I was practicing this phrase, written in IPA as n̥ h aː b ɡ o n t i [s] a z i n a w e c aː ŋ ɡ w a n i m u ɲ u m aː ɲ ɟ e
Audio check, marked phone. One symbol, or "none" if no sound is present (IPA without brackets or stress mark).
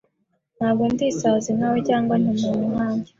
s